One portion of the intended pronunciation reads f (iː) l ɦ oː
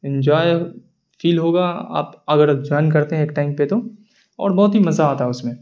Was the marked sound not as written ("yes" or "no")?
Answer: no